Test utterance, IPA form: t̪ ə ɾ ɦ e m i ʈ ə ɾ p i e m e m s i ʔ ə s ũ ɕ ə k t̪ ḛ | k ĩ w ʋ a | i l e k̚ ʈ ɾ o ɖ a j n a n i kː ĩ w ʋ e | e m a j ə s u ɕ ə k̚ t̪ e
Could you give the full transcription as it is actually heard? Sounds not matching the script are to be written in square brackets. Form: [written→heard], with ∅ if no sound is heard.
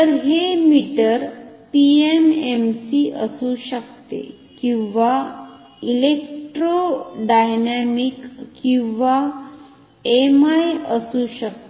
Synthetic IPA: t̪ ə ɾ ɦ e m i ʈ ə ɾ p i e m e m s i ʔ ə s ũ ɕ ə k t̪ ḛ | k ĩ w ʋ a | i l e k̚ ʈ ɾ o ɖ a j n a [n→m] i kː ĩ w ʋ [e→a] | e m a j ə s u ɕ ə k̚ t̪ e